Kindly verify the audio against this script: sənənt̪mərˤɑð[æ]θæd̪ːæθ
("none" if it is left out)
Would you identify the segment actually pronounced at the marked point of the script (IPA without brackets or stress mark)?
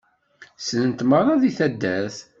i